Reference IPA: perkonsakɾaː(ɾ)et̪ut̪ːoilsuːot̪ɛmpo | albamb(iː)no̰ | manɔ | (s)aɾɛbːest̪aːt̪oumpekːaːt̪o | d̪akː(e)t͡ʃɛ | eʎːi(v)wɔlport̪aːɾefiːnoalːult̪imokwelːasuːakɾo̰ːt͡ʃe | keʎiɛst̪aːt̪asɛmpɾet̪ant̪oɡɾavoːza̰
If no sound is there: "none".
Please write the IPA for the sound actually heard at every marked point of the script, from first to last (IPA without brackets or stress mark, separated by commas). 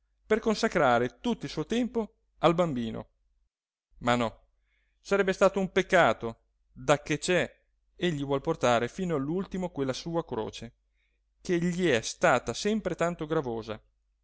ɾ, iː, s, e, v